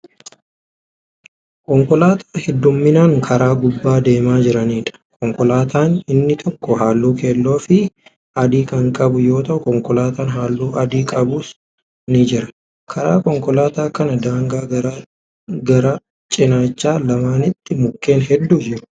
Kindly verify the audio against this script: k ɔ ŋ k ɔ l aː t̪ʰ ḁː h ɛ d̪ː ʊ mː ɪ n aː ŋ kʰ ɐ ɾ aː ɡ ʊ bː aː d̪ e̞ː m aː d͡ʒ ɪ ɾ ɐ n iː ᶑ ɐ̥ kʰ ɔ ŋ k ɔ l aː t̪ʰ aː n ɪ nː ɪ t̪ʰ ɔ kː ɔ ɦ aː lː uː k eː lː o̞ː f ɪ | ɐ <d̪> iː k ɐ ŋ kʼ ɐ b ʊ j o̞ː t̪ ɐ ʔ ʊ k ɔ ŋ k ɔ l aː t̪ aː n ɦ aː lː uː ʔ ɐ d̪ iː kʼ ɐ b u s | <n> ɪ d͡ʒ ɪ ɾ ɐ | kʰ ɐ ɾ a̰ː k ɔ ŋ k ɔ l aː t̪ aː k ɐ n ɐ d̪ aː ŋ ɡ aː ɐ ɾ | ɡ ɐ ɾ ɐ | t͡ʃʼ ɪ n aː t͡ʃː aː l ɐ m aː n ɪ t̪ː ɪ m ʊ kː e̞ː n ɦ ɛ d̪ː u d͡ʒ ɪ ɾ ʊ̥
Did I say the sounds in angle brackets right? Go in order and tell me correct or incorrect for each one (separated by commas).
correct, correct